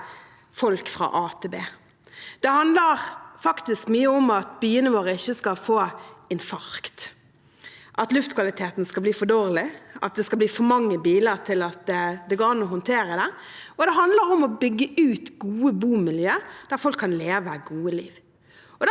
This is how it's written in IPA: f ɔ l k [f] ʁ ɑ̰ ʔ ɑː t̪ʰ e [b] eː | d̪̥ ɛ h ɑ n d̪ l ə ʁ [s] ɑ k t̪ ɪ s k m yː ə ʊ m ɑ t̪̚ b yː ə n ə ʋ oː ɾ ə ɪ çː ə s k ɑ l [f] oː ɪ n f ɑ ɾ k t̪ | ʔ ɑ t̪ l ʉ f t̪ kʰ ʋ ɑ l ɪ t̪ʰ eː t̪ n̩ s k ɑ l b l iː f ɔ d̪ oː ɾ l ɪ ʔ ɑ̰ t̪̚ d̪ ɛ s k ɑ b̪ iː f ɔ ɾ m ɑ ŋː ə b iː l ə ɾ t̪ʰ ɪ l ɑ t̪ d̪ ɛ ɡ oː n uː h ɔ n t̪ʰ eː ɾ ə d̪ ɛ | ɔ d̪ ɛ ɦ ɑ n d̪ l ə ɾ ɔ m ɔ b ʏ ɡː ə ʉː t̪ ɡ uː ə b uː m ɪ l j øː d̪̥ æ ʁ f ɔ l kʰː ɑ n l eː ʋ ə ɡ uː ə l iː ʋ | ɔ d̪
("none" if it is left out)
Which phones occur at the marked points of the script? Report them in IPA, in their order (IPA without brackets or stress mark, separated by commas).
f, b, f, f